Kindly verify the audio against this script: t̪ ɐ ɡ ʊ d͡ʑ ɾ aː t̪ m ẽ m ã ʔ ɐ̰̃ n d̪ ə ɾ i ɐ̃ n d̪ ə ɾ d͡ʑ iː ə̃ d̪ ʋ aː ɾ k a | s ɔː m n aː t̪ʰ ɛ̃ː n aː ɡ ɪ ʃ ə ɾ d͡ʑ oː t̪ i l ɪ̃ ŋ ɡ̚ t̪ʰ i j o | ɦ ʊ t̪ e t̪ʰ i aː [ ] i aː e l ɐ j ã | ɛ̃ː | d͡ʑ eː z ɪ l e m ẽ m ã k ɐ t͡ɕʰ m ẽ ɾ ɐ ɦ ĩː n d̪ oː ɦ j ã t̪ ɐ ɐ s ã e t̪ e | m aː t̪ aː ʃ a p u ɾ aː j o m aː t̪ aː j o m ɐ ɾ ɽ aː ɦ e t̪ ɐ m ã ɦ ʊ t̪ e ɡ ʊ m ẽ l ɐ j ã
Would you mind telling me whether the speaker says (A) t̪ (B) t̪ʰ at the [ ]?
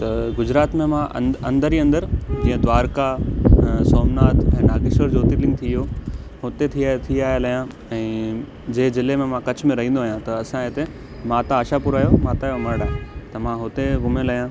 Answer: B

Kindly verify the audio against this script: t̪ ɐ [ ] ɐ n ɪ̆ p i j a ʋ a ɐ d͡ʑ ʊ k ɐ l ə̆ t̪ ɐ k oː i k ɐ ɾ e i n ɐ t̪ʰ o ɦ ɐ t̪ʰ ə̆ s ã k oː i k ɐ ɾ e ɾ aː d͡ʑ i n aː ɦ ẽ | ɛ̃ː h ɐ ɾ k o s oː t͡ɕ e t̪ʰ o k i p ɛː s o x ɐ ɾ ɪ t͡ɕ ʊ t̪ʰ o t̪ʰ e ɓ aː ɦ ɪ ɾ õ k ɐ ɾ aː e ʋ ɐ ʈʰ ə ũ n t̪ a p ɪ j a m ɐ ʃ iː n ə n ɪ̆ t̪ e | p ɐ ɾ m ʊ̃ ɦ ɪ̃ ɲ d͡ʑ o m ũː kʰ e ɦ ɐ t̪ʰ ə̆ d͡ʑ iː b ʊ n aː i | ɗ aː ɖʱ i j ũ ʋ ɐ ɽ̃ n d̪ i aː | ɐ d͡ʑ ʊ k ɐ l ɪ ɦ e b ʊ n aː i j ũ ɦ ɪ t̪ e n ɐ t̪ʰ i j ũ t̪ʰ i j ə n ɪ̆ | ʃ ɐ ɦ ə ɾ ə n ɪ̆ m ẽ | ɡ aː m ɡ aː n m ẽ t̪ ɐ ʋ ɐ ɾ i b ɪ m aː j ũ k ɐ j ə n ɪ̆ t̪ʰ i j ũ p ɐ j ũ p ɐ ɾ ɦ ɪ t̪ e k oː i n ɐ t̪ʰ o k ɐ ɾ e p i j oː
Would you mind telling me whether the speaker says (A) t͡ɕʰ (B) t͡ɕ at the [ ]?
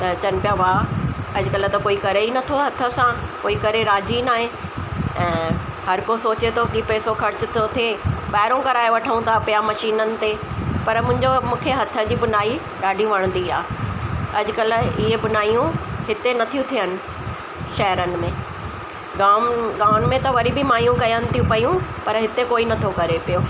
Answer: B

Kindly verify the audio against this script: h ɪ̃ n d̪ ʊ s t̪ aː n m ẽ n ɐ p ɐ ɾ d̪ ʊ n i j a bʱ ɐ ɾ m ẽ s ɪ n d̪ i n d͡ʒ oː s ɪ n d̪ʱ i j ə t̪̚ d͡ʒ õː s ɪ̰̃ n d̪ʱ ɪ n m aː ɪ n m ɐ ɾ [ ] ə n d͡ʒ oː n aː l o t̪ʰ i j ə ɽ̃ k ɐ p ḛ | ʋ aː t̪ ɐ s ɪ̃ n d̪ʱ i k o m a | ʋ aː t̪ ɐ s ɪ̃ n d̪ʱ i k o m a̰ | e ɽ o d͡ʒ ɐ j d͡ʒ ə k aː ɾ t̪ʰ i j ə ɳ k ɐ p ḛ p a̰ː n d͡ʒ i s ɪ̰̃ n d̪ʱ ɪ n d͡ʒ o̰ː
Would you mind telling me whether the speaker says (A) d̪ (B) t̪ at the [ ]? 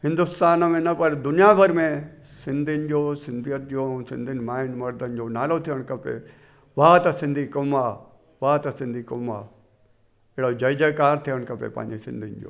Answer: A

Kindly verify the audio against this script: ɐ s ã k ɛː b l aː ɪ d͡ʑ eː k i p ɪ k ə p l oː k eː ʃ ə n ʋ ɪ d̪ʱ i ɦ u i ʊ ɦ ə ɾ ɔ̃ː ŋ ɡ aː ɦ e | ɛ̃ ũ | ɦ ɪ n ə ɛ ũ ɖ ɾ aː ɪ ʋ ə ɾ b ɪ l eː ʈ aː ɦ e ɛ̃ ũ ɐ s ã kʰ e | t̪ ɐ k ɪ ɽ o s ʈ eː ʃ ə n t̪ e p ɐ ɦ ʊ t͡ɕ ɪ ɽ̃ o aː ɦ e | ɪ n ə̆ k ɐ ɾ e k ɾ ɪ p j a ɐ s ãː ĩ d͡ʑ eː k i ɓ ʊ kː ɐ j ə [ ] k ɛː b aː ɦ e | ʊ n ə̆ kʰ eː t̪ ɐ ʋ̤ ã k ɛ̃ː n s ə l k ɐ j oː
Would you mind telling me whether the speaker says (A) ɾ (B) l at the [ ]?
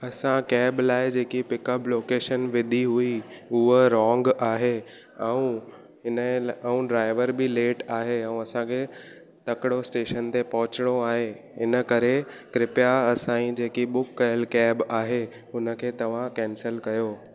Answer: B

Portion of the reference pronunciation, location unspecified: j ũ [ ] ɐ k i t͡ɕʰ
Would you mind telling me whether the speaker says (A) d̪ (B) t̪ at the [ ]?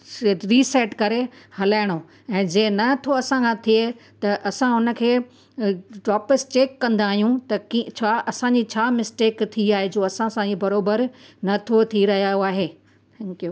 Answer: B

